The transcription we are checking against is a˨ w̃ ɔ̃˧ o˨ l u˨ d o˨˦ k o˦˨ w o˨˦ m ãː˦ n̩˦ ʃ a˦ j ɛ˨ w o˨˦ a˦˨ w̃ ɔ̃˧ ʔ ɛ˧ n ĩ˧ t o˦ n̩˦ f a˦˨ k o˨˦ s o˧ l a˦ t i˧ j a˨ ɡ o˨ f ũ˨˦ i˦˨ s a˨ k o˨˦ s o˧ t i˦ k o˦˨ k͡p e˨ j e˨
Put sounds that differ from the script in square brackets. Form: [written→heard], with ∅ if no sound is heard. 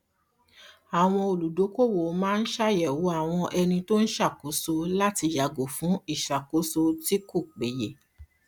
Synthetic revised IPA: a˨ w̃ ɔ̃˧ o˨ l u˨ d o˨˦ k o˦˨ w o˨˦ m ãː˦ n̩˦ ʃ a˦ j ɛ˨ w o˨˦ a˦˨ w̃ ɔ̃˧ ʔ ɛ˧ n ĩ˧ t o˦ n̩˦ [f→ʃ] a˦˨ k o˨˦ s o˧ l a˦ t i˧ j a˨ ɡ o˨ f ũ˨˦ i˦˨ [s→ʃ] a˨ k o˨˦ s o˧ t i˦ k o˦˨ k͡p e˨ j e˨